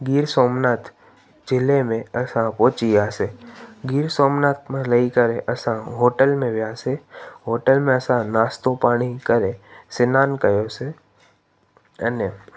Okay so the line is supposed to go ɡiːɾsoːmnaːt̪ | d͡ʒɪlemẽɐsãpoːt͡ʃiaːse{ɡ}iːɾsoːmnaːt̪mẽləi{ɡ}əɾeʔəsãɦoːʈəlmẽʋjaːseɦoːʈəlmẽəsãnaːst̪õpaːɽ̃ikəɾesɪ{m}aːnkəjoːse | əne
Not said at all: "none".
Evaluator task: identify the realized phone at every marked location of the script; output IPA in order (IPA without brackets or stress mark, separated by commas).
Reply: ɡ, k, n